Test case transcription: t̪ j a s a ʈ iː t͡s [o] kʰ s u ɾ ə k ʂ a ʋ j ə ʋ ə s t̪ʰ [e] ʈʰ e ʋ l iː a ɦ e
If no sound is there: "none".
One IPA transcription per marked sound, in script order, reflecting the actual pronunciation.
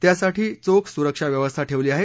o, a

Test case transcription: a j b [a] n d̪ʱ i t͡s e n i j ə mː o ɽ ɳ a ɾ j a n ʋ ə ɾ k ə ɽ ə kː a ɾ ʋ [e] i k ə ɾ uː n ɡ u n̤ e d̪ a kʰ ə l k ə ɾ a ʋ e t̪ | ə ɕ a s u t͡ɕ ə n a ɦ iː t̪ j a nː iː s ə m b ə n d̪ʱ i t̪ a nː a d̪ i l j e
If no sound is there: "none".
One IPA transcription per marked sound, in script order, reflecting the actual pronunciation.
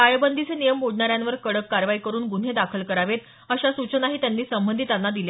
ə, a

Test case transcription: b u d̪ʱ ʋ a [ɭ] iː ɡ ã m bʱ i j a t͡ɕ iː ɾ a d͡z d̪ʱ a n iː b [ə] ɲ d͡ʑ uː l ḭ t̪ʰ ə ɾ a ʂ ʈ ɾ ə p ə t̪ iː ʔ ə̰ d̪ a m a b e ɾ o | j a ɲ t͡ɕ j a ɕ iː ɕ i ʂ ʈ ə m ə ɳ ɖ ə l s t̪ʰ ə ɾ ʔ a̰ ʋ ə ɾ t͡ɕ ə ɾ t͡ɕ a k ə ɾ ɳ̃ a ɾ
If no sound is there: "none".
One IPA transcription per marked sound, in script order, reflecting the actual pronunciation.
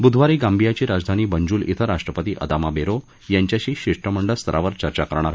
ɾ, ə

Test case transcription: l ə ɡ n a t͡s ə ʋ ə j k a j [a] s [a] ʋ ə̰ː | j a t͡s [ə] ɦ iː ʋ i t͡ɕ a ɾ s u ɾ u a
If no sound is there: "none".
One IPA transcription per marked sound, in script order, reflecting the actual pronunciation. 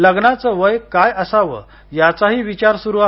ə, a, a

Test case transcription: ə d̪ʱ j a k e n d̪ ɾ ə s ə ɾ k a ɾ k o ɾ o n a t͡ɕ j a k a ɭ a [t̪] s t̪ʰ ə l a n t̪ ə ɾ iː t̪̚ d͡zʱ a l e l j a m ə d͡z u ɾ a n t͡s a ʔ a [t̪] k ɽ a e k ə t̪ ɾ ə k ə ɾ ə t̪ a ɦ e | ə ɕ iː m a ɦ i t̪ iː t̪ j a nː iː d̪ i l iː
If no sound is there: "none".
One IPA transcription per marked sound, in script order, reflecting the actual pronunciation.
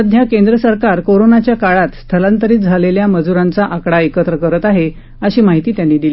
t̪, none

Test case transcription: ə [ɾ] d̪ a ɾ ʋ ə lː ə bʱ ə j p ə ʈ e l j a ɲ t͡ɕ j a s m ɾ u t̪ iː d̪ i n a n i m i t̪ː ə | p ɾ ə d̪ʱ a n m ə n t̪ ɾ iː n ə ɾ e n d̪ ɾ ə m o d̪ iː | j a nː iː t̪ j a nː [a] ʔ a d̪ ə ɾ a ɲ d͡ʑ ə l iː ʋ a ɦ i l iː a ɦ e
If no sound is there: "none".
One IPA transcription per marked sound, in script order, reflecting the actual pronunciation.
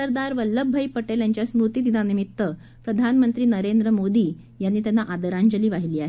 ɾ, a

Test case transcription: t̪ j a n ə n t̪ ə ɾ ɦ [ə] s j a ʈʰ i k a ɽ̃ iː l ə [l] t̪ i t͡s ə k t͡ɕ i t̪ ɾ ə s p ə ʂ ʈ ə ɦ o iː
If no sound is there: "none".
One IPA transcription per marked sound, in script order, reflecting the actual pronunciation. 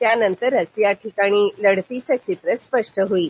ə, ɽ

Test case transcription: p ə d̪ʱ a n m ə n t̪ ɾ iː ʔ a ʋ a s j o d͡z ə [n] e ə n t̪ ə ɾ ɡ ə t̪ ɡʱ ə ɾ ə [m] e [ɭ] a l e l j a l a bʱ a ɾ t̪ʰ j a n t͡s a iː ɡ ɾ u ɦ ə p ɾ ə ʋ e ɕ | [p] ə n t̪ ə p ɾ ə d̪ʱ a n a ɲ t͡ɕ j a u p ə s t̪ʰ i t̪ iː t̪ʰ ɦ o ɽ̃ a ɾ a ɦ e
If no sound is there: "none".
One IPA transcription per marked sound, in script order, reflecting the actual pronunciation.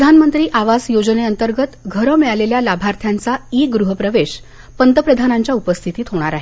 n, m, ɭ, p

